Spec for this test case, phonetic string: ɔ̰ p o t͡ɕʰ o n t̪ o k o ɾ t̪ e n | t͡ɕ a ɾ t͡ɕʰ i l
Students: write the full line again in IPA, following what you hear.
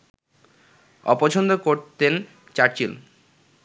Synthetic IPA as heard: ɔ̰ p o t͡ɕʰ o n d̪ o k o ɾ t̪ e n | t͡ɕ a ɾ t͡ɕ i l